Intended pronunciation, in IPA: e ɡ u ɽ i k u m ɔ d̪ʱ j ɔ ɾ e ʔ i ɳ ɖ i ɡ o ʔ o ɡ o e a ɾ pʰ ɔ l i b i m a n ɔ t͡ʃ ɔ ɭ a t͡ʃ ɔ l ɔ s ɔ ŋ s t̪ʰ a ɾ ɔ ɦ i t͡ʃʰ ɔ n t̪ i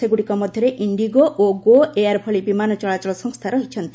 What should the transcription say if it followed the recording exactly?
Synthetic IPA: e ɡ u ɽ i k ɔ m ɔ d̪ʱ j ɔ ɾ e ʔ i ɳ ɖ i ɡ o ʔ o ɡ o e a ɾ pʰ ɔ ɭ i b i m a n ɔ t͡ʃ ɔ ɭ a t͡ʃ ɔ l ɔ s ɔ ŋ s t̪ʰ a ɾ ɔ ɦ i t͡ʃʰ ɔ n t̪ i